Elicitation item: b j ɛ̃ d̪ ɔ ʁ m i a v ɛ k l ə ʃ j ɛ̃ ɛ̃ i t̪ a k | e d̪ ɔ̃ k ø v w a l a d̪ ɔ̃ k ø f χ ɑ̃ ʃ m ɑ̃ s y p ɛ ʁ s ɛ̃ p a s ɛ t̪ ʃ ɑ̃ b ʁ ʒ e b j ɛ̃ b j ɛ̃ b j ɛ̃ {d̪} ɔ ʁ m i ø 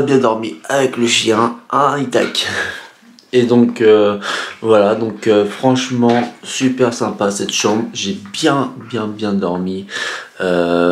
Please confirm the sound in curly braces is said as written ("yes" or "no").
yes